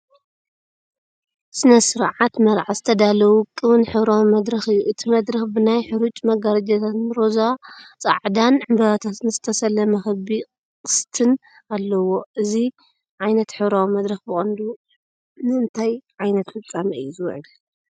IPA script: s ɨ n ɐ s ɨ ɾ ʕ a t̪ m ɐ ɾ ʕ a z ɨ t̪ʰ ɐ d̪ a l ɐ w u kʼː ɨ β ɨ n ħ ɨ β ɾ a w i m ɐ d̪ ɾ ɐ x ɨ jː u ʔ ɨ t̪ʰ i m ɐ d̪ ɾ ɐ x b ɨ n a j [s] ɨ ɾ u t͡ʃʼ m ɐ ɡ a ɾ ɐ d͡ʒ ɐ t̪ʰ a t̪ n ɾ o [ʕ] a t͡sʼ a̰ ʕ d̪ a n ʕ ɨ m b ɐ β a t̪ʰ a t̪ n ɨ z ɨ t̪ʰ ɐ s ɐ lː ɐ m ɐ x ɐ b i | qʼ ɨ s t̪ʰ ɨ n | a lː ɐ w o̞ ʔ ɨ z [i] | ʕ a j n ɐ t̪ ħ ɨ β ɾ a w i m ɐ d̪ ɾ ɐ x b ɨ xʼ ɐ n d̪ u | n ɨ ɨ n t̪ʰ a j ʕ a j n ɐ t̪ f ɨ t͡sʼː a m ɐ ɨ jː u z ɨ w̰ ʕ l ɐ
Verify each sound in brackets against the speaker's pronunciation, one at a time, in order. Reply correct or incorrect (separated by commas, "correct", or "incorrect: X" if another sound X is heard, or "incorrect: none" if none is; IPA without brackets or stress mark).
incorrect: ħ, incorrect: z, correct